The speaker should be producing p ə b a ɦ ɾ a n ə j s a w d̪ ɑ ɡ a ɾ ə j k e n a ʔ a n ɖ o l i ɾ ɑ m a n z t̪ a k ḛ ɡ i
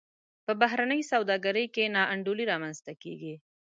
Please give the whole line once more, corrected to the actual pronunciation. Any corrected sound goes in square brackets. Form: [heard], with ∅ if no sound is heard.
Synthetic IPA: p ə b a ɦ ɾ a n ə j s a w d̪ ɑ ɡ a ɾ ə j k e n [ɑ] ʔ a [ɳ] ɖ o l i ɾ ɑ m a n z t̪ a k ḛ ɡ i